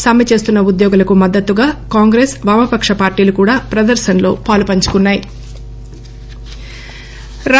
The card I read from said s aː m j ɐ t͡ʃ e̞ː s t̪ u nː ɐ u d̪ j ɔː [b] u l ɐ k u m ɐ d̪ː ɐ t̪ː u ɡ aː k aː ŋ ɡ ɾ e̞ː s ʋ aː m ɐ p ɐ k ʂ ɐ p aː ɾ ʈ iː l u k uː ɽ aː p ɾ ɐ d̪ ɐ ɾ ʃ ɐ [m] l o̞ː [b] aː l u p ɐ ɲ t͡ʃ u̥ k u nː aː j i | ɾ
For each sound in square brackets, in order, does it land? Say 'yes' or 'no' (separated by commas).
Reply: no, no, no